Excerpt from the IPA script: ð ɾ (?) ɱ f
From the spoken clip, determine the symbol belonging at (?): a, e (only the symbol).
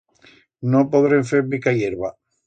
e